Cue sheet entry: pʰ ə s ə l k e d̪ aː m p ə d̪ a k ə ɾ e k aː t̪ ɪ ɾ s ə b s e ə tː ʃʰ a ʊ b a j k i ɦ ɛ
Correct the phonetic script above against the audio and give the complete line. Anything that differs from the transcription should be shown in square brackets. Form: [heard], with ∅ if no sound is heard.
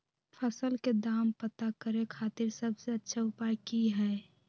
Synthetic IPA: pʰ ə s ə l k e d̪ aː m p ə [t̪] a k ə ɾ e [kʰ] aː t̪ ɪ ɾ s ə b s e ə tː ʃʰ a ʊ [p] a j k i ɦ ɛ